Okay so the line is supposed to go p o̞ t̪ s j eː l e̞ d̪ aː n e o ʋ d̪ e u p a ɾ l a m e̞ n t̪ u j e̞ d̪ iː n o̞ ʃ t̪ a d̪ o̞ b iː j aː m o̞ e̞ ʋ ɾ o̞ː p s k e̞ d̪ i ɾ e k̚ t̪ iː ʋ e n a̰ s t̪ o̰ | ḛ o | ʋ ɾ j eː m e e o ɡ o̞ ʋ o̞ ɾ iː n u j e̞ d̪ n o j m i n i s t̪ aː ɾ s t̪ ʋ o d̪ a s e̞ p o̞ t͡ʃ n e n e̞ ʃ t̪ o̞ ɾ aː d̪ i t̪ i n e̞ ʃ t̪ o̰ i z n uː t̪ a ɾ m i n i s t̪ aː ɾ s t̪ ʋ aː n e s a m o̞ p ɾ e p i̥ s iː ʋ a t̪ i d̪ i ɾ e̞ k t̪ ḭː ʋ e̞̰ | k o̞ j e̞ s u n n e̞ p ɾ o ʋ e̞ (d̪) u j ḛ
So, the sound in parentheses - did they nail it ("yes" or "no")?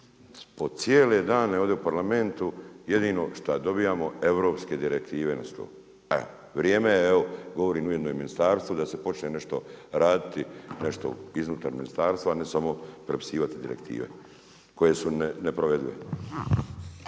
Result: yes